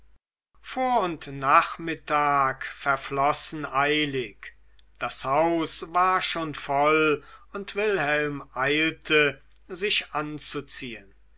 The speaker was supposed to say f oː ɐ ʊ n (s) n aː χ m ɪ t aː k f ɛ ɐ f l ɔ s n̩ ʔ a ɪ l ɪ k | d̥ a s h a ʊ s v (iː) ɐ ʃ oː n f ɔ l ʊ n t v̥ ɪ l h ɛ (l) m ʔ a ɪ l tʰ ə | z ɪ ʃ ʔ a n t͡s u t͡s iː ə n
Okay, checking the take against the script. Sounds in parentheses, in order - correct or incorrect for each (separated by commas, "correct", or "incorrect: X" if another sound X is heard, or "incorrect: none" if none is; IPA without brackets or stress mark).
incorrect: t, incorrect: aː, correct